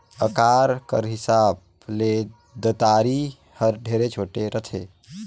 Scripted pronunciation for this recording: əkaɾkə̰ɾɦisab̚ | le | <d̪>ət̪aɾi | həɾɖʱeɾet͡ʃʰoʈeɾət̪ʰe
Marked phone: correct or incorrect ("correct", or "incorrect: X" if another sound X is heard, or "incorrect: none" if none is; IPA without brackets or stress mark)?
correct